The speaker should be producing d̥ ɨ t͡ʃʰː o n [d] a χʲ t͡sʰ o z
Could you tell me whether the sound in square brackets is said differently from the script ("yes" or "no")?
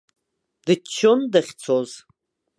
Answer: no